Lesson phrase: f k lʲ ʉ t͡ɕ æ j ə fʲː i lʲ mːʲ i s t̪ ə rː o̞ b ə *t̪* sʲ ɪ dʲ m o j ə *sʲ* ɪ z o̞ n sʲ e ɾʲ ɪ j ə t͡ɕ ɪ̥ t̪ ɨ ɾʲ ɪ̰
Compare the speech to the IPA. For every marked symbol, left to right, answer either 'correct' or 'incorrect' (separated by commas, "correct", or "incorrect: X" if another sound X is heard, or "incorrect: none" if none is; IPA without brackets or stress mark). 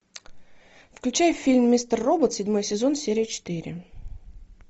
correct, correct